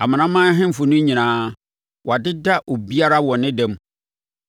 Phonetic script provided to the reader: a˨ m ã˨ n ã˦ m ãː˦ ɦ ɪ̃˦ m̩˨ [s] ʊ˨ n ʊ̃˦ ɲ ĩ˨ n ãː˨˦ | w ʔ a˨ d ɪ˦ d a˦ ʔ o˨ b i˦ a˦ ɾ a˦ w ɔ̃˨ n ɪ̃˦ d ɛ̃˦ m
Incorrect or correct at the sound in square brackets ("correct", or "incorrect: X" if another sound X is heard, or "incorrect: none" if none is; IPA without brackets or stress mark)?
incorrect: f